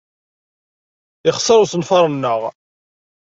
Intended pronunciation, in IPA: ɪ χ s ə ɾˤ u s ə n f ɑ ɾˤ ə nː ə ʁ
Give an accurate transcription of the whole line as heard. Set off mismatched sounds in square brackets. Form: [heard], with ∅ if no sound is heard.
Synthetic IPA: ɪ χ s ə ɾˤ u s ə n f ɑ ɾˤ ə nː ə ʁ

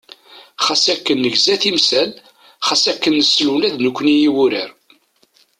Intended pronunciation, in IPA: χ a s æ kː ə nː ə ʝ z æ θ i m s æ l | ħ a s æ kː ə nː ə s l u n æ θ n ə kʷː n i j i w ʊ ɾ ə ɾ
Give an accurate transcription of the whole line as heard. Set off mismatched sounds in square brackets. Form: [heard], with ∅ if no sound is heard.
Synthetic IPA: χ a s æ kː ə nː ə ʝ z æ θ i m s æ l | [χ] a s æ kː ə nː ə s l u n æ [ð] n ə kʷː n i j i w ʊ ɾ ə ɾ

